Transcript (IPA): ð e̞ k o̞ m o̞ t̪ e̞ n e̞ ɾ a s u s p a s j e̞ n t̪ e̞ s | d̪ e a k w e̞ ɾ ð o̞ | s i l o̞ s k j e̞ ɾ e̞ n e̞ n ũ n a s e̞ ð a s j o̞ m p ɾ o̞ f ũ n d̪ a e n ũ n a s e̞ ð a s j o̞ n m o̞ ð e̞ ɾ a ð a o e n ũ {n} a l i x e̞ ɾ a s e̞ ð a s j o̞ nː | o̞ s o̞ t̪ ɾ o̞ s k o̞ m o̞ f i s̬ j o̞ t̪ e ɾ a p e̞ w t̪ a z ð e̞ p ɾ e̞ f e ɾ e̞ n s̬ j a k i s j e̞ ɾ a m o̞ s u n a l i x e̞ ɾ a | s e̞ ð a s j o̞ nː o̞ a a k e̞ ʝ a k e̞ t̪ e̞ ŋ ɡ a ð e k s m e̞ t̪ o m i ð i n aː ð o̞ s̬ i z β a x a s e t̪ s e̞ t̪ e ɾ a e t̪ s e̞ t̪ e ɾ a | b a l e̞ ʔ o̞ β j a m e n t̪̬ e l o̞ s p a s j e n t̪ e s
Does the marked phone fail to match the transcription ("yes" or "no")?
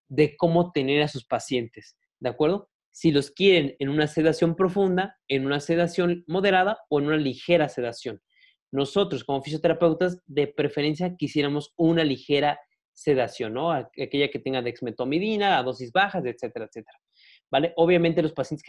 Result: no